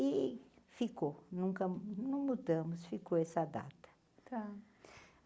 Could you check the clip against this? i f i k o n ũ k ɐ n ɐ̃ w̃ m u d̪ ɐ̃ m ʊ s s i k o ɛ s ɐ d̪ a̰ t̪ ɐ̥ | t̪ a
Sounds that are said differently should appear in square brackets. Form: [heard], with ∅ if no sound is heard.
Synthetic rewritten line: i f i k o n ũ k ɐ n ɐ̃ w̃ m u d̪ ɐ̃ m ʊ s [f] i k o ɛ s ɐ d̪ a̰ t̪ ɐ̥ | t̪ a